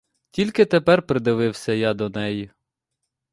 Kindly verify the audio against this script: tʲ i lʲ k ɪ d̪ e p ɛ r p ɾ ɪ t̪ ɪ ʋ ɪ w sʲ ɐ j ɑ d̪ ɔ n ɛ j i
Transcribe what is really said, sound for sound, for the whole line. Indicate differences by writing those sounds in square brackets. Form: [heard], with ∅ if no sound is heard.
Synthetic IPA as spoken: tʲ i lʲ k ɪ [t̪] e p ɛ r p ɾ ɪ [d̪] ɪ ʋ ɪ w sʲ ɐ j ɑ d̪ ɔ n ɛ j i

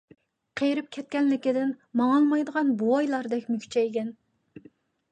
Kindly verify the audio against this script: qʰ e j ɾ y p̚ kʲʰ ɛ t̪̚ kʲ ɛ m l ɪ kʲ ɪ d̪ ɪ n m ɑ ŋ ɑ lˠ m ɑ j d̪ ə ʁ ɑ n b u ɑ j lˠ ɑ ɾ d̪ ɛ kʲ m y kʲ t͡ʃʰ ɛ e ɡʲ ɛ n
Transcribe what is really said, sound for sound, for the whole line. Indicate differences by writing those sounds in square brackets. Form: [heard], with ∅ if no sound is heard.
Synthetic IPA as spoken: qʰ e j ɾ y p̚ kʲʰ ɛ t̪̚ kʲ ɛ [n] l ɪ kʲ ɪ d̪ ɪ n m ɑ ŋ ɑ lˠ m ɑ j d̪ ə ʁ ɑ n b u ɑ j lˠ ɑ ɾ d̪ ɛ kʲ m y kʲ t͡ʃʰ ɛ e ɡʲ ɛ n

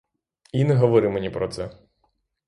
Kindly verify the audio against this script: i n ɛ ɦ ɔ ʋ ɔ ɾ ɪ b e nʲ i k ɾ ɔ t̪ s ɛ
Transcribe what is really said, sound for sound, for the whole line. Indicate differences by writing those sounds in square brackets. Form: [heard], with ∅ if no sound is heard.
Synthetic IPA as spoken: i n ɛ ɦ ɔ ʋ ɔ ɾ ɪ [m] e nʲ i [p] ɾ ɔ t̪ s ɛ

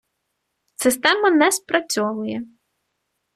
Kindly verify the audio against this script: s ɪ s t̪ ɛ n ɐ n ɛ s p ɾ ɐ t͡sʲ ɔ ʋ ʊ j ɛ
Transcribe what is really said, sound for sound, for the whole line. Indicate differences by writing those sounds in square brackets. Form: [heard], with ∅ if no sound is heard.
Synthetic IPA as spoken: s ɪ s t̪ ɛ [m] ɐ n ɛ s p ɾ ɐ t͡sʲ ɔ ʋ ʊ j ɛ

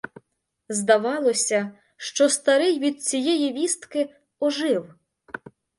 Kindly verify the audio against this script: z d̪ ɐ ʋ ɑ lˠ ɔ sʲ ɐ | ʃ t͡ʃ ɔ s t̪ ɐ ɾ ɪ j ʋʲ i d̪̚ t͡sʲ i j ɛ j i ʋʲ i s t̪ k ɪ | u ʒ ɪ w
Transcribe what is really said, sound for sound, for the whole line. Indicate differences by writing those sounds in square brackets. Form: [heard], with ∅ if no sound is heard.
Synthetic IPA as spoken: z d̪ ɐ ʋ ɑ lˠ ɔ sʲ ɐ | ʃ t͡ʃ ɔ s t̪ ɐ ɾ ɪ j ʋʲ i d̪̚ t͡sʲ i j ɛ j i ʋʲ i s t̪ k ɪ | [ɔ] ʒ ɪ w

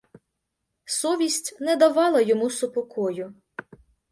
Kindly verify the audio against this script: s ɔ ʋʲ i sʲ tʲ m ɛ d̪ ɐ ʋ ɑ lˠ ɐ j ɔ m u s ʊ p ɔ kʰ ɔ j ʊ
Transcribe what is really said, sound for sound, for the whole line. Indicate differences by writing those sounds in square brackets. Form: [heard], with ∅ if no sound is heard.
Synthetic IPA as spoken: s ɔ ʋʲ i sʲ tʲ [n] ɛ d̪ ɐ ʋ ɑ lˠ ɐ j ɔ m u s ʊ p ɔ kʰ ɔ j ʊ

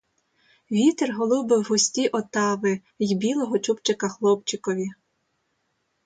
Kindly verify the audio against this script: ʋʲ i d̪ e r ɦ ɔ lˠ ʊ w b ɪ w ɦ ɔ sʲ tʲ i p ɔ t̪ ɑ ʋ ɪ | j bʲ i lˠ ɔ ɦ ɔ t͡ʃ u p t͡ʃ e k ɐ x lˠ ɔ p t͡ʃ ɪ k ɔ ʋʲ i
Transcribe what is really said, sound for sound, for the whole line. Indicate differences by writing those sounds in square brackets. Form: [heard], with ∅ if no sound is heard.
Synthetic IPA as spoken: ʋʲ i [t̪] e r ɦ ɔ lˠ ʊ w b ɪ w ɦ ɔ sʲ tʲ i [ʔ] ɔ t̪ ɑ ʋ ɪ | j bʲ i lˠ ɔ ɦ ɔ t͡ʃ u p t͡ʃ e k ɐ x lˠ ɔ p t͡ʃ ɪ k ɔ ʋʲ i

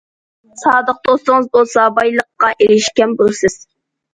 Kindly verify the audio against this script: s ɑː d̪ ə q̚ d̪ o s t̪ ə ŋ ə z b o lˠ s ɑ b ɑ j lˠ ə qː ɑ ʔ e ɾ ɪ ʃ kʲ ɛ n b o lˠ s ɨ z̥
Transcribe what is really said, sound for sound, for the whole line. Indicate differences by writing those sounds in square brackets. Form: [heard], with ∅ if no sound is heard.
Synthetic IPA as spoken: s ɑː d̪ ə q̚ d̪ o s t̪ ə ŋ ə z b o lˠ s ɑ b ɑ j lˠ ə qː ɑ ʔ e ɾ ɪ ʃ kʲ ɛ n b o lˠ s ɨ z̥

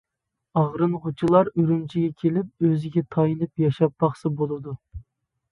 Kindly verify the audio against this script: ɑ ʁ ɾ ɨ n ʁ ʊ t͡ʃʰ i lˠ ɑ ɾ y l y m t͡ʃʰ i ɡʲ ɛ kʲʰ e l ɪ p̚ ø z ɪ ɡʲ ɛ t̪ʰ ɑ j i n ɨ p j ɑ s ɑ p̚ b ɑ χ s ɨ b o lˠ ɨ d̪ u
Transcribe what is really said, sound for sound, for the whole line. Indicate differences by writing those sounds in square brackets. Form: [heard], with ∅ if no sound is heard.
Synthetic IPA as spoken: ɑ ʁ ɾ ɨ n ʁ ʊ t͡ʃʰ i lˠ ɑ ɾ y [ɾ] y m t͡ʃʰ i ɡʲ ɛ kʲʰ e l ɪ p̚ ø z ɪ ɡʲ ɛ t̪ʰ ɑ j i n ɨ p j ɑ [ʃ] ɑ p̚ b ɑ χ s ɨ b o lˠ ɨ d̪ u

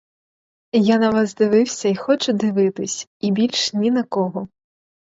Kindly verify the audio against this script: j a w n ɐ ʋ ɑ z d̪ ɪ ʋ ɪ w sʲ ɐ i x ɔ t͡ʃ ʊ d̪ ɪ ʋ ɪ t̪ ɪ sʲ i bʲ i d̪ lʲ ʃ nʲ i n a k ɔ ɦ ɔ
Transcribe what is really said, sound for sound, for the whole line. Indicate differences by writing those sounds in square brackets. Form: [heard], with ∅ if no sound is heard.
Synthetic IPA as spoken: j a [∅] n ɐ ʋ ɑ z d̪ ɪ ʋ ɪ w sʲ ɐ i x ɔ t͡ʃ ʊ d̪ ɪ ʋ ɪ t̪ ɪ sʲ i bʲ i [∅] lʲ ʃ nʲ i n [ɐ] k ɔ ɦ ɔ

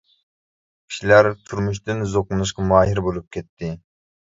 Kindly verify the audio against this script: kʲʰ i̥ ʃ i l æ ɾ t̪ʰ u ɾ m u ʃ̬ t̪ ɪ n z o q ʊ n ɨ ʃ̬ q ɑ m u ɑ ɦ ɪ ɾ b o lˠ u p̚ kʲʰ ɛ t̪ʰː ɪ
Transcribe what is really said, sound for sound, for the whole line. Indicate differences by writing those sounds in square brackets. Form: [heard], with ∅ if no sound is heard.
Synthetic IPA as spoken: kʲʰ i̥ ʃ i l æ ɾ t̪ʰ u ɾ m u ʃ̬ t̪ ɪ n z o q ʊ n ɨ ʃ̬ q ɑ m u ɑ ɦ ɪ ɾ b o lˠ u p̚ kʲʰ ɛ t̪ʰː ɪ

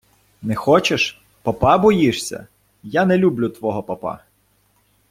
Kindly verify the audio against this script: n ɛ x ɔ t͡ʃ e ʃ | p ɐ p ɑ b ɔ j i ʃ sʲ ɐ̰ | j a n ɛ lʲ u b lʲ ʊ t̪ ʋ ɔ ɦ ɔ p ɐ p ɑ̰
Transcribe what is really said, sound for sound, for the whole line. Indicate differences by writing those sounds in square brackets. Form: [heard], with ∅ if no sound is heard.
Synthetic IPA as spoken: n ɛ x ɔ t͡ʃ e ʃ | p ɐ p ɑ b ɔ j i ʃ sʲ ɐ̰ | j a n ɛ lʲ u b lʲ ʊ t̪ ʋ ɔ ɦ ɔ p ɐ p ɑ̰

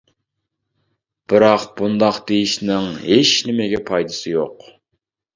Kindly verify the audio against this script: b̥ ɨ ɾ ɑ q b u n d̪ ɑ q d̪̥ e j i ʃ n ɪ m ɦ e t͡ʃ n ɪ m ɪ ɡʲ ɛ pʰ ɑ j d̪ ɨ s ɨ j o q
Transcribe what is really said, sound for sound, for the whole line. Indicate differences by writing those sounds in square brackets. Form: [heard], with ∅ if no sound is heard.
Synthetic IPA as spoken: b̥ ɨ ɾ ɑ q b u n d̪ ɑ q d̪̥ e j i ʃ n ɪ [ŋ] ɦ e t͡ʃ n ɪ m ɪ ɡʲ ɛ pʰ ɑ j d̪ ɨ s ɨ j o q

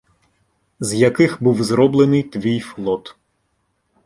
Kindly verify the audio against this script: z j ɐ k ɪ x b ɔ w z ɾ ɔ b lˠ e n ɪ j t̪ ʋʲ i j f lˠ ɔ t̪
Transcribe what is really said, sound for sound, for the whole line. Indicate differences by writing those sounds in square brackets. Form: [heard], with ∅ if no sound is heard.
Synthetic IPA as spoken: z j ɐ k ɪ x b [u] w z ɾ ɔ b lˠ e n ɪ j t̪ ʋʲ i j f lˠ ɔ t̪

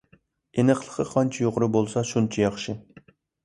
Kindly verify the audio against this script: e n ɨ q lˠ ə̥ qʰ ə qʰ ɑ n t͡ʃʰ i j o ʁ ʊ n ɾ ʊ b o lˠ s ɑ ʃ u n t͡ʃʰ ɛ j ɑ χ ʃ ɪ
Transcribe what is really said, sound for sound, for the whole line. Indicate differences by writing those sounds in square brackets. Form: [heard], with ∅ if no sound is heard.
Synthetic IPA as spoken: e n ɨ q lˠ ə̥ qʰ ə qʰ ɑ n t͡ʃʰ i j o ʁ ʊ [∅] ɾ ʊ b o lˠ s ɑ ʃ u n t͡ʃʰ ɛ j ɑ χ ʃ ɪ

